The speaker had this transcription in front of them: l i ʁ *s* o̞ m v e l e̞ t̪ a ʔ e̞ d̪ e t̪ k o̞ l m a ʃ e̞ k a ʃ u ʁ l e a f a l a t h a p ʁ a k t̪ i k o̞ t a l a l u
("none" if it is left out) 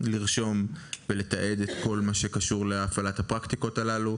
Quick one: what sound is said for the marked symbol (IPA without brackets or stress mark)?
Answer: ʃ